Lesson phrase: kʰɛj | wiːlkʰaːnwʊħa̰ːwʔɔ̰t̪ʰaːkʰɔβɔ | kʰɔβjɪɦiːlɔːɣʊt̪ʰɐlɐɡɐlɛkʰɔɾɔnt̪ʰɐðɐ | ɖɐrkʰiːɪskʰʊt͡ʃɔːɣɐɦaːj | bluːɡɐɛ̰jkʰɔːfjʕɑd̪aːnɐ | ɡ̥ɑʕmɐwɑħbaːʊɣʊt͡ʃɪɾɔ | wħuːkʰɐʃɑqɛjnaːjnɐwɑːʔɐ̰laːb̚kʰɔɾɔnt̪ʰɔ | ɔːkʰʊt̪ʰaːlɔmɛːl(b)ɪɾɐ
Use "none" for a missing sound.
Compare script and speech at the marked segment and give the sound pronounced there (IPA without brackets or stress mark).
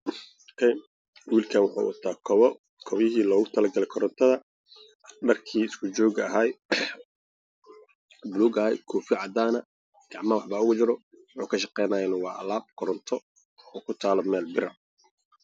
b